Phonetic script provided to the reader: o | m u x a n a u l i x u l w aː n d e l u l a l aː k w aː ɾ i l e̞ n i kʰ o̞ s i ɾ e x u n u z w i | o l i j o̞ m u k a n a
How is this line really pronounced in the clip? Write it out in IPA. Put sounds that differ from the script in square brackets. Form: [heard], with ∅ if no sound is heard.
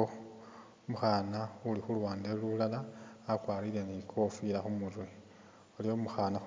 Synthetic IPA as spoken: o | m u x a n a u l i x u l w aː n d e l u l a l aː k w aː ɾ i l e̞ n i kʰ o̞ [f] i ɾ [a] x u [m] u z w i | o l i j o̞ m u [x] a n a

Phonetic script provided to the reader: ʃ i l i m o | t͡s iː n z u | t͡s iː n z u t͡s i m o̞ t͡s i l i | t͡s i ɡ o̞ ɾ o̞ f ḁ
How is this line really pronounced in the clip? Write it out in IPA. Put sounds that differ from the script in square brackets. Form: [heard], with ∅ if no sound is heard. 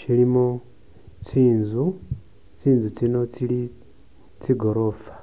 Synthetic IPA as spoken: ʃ i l i m o | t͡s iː n z u | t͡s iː n z u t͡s i [n] o̞ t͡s i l i | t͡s i ɡ o̞ ɾ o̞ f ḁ

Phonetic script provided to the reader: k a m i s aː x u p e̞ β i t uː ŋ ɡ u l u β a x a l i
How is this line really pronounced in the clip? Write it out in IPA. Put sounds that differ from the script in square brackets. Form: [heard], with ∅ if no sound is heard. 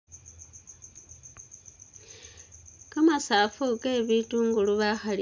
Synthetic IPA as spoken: k a m [a] s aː [f] u [k] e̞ β i t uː ŋ ɡ u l u β a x a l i

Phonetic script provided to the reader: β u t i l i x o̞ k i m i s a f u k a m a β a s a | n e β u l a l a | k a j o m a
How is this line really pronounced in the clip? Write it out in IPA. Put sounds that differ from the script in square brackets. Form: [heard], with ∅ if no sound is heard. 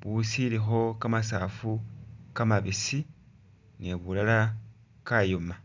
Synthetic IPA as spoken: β u [s] i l i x o̞ k [a] m [a] s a f u k a m a β [i] s [i] | n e β u l a l a | k a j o m a

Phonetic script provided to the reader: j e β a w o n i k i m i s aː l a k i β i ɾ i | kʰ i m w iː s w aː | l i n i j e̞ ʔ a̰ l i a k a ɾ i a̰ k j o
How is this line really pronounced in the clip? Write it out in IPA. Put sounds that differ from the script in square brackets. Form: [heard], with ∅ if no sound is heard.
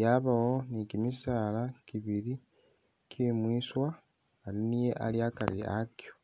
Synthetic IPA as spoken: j [a] β a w o n i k i m i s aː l a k i β i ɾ i | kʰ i m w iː s w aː | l i n i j e̞ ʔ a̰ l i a k a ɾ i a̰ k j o

